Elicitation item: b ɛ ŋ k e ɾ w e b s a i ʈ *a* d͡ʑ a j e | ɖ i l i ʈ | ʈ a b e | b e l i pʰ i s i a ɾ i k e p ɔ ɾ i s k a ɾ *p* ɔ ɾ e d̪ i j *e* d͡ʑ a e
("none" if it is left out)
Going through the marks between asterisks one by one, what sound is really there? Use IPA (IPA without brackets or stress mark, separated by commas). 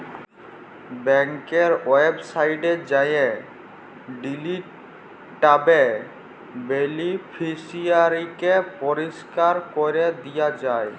e, k, a